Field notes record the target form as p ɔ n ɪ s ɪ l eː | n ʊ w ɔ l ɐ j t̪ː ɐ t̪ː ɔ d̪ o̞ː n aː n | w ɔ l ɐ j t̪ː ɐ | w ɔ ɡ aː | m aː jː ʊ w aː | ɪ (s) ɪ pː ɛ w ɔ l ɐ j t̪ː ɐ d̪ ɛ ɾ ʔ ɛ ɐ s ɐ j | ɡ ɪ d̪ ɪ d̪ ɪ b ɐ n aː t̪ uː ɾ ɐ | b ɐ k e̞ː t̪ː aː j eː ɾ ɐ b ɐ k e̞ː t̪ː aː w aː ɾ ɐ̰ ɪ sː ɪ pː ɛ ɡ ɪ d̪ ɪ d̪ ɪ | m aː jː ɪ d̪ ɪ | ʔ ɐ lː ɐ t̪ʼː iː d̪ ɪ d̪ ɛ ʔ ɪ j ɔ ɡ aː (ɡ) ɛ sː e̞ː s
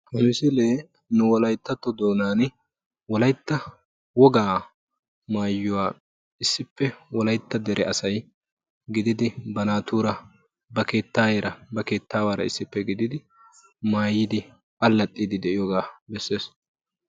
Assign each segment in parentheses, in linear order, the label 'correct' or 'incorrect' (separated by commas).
incorrect, incorrect